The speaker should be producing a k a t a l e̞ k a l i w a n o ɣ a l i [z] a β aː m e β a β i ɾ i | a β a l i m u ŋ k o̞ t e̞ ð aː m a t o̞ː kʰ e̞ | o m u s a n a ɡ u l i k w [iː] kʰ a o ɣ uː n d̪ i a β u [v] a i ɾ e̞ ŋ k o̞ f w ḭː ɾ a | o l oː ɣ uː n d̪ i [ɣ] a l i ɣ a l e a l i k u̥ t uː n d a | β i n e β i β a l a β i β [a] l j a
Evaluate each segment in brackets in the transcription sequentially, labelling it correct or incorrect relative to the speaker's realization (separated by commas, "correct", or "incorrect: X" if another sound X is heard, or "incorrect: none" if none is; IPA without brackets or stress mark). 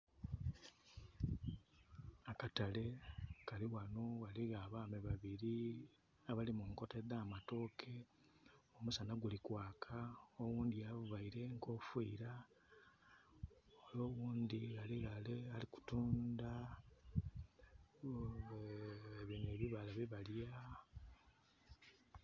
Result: incorrect: ɣ, incorrect: aː, incorrect: β, correct, correct